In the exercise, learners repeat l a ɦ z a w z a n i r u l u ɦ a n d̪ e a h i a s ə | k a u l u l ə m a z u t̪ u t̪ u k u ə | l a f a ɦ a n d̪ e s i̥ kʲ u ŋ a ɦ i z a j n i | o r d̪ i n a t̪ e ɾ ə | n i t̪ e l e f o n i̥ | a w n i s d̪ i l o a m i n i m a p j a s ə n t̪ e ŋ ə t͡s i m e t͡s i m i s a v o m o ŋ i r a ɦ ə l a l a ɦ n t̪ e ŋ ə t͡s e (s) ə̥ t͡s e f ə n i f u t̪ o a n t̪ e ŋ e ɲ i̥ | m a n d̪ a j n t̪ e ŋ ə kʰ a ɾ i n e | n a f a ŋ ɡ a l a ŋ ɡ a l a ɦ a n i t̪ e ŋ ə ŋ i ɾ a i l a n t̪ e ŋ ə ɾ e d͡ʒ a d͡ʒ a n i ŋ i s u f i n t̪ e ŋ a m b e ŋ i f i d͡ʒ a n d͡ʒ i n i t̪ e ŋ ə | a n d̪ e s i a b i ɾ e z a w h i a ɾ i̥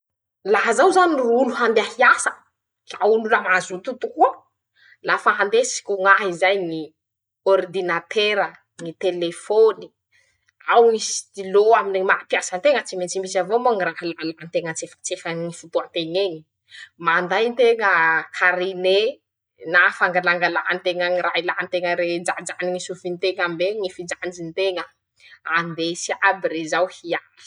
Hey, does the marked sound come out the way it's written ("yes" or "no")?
no